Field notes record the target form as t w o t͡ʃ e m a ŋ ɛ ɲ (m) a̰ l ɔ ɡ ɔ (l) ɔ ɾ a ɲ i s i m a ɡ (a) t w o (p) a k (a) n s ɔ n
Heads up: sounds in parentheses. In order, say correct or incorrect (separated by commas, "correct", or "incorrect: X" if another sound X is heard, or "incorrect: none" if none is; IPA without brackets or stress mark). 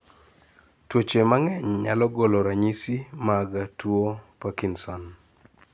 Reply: incorrect: ɲ, correct, correct, correct, incorrect: i